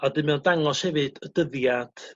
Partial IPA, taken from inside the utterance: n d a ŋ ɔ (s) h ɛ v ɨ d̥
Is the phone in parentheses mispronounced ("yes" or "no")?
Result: no